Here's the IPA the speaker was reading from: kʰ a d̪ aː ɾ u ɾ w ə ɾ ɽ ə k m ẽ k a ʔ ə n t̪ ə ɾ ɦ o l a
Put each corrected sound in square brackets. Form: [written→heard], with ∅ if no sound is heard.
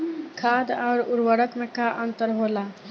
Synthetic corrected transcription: kʰ a d̪ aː ɾ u ɾ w ə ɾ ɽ ə k m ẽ k a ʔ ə n t̪ ə ɾ ɦ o l a